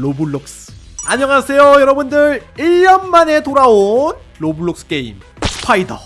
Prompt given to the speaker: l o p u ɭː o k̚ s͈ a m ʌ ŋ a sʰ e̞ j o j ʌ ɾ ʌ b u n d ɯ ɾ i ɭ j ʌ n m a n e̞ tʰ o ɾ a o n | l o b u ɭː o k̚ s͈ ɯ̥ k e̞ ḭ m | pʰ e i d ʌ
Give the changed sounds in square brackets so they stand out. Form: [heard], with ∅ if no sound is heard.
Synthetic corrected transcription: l o [b] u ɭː o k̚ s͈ a [ɲ] ʌ ŋ a sʰ e̞ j o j ʌ ɾ ʌ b u n d ɯ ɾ i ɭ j ʌ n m a n e̞ [t] o ɾ a o n | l o b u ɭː o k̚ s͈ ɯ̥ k e̞ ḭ m | pʰ [a] i d ʌ